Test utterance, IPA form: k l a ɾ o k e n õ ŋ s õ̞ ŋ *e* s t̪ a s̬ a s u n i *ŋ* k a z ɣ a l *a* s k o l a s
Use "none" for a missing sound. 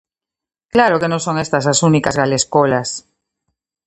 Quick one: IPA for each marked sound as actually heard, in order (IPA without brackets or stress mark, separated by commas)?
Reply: e, none, e